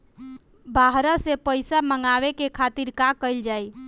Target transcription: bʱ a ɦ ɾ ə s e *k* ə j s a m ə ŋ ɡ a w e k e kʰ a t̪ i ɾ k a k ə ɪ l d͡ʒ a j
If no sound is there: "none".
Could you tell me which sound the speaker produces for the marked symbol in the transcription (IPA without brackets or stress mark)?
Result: p